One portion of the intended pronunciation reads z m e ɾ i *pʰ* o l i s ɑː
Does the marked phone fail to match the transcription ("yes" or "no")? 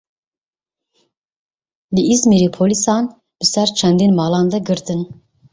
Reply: no